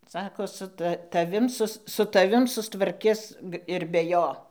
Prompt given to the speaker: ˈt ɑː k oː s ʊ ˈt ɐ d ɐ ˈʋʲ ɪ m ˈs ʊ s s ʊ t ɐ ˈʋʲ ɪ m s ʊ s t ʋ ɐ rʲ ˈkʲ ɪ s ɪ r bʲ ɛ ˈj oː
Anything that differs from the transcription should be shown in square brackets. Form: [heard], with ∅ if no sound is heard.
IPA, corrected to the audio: [ˈs] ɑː k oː s ʊ ˈt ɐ [t] ɐ ˈʋʲ ɪ m ˈs ʊ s s ʊ t ɐ ˈʋʲ ɪ m s ʊ s t ʋ ɐ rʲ ˈkʲ ɪ s ɪ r bʲ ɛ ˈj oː